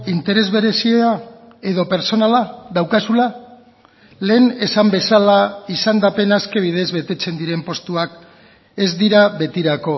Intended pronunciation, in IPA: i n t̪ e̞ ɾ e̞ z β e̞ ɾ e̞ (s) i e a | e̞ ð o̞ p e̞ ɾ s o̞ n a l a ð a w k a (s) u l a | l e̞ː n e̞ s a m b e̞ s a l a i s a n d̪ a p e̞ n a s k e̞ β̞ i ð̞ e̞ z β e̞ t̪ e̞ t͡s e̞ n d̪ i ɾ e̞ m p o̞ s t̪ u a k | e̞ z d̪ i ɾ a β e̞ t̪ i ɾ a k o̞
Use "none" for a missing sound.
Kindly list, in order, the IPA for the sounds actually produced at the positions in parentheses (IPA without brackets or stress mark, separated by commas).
s, s